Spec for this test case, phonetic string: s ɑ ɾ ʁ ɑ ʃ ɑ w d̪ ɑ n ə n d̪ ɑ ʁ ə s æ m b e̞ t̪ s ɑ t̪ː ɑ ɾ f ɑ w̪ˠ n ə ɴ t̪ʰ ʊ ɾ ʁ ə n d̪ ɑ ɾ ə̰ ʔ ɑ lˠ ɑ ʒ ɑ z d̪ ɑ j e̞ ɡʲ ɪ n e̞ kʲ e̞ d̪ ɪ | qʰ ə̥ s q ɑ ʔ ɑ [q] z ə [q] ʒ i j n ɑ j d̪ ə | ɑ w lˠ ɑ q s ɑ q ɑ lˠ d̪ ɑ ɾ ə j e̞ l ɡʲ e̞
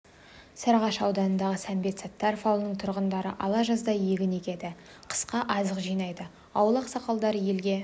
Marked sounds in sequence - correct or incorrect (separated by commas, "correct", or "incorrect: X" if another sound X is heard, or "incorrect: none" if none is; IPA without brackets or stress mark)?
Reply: incorrect: none, correct